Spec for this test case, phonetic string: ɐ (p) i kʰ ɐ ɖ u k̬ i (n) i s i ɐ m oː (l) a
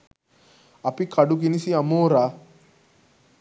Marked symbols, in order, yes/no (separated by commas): yes, yes, no